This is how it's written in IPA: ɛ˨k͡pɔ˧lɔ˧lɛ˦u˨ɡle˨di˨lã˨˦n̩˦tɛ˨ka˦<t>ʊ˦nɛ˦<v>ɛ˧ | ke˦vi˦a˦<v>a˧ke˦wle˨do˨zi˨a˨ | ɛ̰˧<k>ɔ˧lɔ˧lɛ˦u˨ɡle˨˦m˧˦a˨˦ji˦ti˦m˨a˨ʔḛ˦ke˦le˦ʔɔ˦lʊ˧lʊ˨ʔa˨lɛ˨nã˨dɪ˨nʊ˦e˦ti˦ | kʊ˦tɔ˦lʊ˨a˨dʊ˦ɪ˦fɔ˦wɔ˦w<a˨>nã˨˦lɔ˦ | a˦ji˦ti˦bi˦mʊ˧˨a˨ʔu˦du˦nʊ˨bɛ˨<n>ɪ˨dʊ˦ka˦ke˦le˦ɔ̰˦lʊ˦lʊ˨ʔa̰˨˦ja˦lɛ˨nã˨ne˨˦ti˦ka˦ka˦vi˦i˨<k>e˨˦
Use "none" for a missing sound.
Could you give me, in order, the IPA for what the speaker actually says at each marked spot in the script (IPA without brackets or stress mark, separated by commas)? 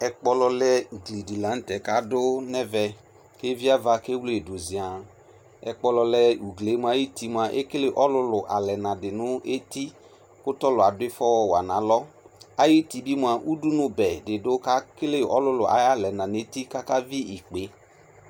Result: d, v, v, k͡p, a˨, d, k͡p